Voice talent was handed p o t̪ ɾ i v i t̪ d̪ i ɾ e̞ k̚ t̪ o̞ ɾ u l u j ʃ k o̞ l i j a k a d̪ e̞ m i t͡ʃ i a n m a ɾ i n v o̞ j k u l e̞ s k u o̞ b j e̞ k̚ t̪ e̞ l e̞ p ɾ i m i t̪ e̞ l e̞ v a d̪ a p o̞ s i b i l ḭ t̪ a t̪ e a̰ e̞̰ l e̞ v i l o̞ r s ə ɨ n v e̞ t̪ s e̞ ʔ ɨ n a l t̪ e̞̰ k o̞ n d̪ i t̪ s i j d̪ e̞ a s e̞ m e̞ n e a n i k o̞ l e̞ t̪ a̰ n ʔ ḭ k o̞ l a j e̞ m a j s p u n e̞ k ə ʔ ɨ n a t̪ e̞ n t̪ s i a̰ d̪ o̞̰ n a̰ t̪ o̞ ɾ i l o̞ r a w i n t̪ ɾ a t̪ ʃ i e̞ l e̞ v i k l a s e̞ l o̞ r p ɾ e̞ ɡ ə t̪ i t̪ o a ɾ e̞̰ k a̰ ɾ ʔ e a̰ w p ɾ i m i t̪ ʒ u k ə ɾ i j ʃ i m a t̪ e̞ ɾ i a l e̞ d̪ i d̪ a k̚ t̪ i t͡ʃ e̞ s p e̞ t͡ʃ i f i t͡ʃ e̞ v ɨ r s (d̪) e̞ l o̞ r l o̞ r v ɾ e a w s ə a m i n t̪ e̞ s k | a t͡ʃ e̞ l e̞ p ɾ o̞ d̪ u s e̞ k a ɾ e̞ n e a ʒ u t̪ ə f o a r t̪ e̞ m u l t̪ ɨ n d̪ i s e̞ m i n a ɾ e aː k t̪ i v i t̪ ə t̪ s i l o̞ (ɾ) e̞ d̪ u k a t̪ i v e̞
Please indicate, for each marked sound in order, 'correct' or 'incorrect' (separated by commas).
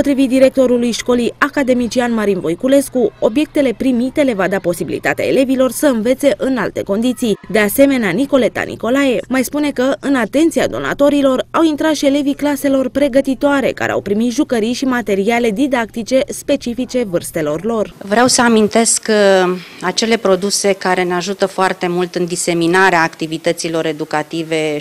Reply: incorrect, correct